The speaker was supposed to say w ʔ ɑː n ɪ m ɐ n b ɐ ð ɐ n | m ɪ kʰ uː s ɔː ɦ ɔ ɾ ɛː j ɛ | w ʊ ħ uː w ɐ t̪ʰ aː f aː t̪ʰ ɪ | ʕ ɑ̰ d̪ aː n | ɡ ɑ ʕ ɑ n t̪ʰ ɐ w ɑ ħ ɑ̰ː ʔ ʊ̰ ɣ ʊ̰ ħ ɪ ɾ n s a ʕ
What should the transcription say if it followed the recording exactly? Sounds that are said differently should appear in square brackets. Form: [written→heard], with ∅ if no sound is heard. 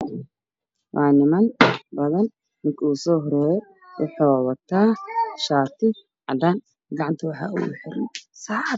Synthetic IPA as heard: w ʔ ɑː n ɪ m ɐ n b ɐ ð ɐ n | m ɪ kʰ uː s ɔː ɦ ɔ ɾ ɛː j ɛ | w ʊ ħ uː w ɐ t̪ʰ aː [f→ʃ] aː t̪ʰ ɪ | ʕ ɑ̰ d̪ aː n | ɡ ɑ ʕ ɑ n t̪ʰ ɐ w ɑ ħ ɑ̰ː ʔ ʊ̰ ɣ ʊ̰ ħ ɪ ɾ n s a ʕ